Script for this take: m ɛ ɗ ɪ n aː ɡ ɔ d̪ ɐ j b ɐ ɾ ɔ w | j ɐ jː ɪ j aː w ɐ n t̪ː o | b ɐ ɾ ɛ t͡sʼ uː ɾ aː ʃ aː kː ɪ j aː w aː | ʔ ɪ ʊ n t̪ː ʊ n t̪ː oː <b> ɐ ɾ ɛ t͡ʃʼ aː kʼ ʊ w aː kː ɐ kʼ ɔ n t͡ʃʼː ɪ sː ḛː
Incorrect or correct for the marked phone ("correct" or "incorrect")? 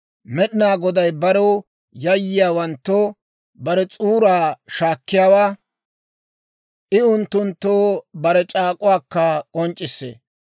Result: correct